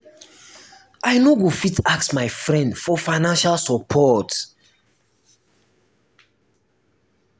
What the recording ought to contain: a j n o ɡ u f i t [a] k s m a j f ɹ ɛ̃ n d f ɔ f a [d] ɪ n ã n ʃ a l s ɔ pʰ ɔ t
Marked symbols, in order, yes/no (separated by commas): yes, no